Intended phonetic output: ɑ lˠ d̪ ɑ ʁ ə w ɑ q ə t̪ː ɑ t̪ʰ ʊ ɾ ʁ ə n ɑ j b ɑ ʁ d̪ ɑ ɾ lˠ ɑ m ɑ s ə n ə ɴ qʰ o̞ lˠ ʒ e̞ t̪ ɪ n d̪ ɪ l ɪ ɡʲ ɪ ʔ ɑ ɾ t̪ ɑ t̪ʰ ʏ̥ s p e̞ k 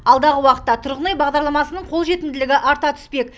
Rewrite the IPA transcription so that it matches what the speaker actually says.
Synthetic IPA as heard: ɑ lˠ d̪ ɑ ʁ ə w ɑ q ə t̪ː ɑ t̪ʰ ʊ ɾ ʁ ə n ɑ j b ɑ ʁ d̪ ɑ ɾ lˠ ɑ m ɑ s ə n ə ɴ qʰ o̞ lˠ ʒ e̞ t̪ ɪ n d̪ ɪ l ɪ ɡʲ ɪ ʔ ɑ ɾ t̪ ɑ t̪ʰ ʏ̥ s p e̞ k